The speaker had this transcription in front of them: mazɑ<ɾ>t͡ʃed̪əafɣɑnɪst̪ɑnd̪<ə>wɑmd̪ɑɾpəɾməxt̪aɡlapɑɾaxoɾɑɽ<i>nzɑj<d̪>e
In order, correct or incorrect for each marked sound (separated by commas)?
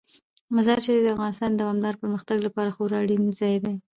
correct, incorrect, correct, correct